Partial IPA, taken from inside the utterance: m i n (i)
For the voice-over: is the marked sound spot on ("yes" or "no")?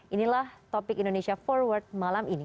yes